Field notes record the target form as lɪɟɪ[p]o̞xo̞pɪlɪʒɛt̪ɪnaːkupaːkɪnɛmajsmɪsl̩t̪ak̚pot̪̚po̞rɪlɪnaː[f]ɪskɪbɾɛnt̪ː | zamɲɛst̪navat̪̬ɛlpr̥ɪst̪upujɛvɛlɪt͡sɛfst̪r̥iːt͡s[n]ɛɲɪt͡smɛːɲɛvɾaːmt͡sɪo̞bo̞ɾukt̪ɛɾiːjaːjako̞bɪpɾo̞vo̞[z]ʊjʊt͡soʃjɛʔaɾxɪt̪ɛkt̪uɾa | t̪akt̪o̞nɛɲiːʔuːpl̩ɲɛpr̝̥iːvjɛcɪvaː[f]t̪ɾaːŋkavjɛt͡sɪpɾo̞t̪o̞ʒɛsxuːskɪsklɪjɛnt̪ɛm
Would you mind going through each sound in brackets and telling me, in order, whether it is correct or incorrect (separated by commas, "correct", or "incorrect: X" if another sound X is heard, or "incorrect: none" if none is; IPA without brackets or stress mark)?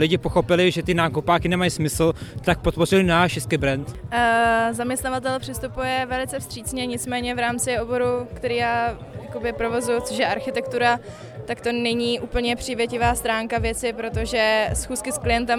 correct, incorrect: ʃ, incorrect: ɲ, correct, incorrect: s